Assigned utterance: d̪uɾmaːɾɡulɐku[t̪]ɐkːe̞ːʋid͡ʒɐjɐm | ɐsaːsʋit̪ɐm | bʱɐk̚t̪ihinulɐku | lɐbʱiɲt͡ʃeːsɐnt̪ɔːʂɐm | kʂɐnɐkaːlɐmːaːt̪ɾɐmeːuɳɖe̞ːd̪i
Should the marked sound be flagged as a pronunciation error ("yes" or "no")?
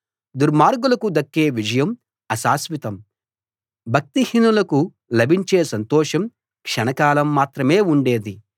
yes